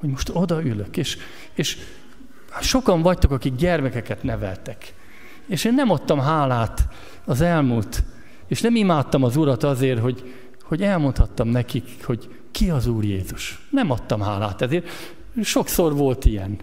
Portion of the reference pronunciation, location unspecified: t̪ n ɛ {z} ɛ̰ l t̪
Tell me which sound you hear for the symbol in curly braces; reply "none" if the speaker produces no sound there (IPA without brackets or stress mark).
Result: v